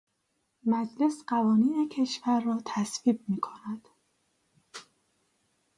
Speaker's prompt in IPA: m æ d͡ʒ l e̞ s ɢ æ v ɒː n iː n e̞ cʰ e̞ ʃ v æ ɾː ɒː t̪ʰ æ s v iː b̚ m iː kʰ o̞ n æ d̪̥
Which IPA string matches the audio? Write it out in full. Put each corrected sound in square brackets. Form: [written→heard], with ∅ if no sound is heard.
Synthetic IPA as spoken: m æ d͡ʒ l e̞ s ɢ æ v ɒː n iː n e̞ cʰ e̞ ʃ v æ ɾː ɒː t̪ʰ æ s v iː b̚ m iː kʰ o̞ n æ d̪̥